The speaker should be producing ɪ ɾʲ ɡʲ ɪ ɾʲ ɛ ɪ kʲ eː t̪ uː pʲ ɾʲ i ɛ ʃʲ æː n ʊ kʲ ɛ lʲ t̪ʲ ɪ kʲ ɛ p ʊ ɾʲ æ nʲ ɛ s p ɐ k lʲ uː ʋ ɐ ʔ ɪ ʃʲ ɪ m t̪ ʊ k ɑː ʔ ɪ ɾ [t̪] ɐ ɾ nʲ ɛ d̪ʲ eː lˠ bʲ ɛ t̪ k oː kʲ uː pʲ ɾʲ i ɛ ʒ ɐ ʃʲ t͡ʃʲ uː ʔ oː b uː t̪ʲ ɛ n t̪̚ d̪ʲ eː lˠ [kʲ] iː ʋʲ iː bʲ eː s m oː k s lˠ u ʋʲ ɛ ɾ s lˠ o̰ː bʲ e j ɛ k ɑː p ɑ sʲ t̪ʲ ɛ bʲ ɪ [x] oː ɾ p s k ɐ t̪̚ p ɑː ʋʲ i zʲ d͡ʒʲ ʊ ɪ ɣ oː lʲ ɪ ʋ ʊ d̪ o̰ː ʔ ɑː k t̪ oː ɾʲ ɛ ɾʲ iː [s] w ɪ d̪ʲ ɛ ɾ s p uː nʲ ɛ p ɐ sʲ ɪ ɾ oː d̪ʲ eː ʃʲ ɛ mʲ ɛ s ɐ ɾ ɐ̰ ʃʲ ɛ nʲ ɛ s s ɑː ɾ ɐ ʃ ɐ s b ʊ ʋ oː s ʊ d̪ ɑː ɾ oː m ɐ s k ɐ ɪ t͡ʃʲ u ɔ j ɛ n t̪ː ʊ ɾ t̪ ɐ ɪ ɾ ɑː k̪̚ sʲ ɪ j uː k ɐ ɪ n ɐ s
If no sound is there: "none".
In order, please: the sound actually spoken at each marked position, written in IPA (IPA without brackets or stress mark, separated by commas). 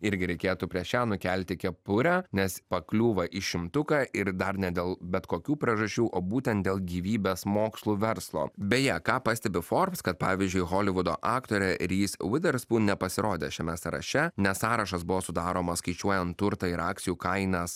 d̪, ɡʲ, f, s